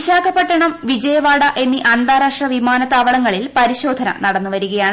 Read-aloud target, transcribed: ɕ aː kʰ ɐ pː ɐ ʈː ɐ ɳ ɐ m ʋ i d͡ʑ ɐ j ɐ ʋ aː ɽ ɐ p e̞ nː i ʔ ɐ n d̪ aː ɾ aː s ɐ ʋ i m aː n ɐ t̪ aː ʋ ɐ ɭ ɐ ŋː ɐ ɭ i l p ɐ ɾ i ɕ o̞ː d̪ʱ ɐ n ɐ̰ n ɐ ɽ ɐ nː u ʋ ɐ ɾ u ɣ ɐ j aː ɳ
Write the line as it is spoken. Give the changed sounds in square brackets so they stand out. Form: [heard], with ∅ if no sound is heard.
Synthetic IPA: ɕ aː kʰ ɐ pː ɐ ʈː ɐ ɳ ɐ m ʋ i d͡ʑ ɐ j ɐ ʋ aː ɽ ɐ [ʔ] e̞ nː i ʔ ɐ n d̪ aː ɾ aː [ʂ] ɐ ʋ i m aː n ɐ t̪ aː ʋ ɐ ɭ ɐ ŋː ɐ ɭ i l p ɐ ɾ i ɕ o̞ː d̪ʱ ɐ n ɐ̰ n ɐ ɽ ɐ nː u ʋ ɐ ɾ u ɣ ɐ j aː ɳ